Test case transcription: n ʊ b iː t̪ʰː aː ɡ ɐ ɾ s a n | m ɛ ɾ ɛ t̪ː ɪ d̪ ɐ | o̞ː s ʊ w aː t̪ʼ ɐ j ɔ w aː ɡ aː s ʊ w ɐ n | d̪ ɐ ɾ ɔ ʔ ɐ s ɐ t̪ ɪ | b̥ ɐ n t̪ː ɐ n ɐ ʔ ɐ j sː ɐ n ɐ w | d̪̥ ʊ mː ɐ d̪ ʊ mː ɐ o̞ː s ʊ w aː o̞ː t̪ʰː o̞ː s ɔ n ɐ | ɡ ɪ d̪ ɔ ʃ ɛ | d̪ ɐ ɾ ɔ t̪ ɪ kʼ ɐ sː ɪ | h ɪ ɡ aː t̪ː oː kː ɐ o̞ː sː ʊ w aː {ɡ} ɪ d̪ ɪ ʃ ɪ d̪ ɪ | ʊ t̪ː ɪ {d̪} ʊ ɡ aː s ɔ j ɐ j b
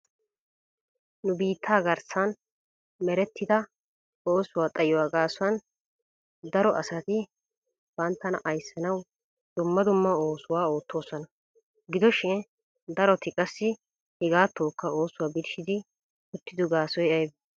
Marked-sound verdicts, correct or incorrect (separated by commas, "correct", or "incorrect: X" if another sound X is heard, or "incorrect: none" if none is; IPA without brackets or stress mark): incorrect: b, correct